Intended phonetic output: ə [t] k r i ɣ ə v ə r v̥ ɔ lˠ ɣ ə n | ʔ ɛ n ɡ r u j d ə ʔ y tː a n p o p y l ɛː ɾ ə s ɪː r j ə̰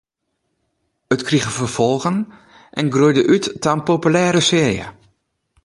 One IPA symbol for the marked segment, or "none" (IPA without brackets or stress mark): t